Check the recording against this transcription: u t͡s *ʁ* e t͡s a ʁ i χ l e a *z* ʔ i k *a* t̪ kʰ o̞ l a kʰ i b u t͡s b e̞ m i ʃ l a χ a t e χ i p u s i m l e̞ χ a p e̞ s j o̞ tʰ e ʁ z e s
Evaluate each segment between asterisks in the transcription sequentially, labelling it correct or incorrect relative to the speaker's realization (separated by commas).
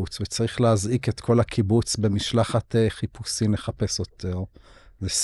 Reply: incorrect, correct, incorrect